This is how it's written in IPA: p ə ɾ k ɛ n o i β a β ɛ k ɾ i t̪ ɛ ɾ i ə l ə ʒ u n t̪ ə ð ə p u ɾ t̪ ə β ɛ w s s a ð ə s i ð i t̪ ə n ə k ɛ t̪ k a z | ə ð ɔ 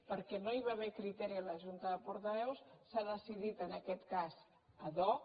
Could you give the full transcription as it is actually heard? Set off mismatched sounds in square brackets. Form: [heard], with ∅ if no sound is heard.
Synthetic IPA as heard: p ə ɾ k ɛ n o i β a β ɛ k ɾ i t̪ ɛ ɾ i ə l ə ʒ u n t̪ ə ð ə p u ɾ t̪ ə β ɛ w s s a ð ə s i ð i t̪ ə n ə k ɛ t̪ k a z | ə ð ɔ